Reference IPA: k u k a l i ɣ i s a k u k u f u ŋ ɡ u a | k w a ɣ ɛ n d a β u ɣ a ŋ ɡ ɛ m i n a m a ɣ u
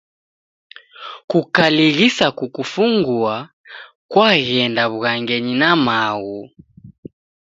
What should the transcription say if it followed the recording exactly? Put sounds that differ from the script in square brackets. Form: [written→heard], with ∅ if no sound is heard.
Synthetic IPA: k u k a l i ɣ i s a k u k u f u ŋ ɡ u a | k w a ɣ ɛ n d a β u ɣ a ŋ ɡ ɛ [m→ɲ] i n a m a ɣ u